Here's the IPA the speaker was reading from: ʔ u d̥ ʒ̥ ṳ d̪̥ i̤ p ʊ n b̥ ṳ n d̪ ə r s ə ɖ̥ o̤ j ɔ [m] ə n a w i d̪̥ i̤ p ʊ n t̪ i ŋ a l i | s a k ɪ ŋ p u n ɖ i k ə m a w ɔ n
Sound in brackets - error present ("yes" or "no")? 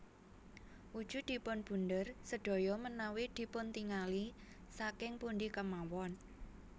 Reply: no